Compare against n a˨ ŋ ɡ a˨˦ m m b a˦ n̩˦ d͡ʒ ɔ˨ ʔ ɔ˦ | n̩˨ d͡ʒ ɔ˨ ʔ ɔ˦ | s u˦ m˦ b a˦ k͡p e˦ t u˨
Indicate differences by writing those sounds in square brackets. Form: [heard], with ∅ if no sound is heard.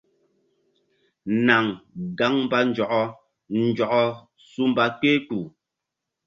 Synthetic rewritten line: n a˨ ŋ ɡ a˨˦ [ŋ] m b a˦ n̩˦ d͡ʒ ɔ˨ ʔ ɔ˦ | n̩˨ d͡ʒ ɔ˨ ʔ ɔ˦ | s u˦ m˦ b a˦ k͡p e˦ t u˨